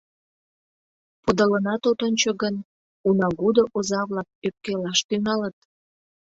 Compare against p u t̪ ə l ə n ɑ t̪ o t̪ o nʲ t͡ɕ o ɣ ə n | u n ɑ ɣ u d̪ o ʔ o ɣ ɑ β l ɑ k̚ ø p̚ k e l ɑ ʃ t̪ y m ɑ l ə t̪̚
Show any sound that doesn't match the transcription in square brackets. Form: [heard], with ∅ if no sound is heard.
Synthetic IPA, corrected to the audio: p u [d̪] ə l ə n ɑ t̪ o t̪ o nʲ t͡ɕ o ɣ ə n | u n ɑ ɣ u d̪ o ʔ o [z] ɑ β l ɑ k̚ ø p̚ k e l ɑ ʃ t̪ y [ŋ] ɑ l ə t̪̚